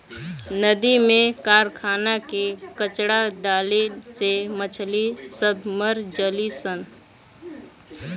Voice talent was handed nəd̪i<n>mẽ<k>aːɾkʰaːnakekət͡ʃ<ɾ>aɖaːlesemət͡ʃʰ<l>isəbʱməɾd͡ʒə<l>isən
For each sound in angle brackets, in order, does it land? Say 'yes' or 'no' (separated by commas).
no, yes, no, yes, yes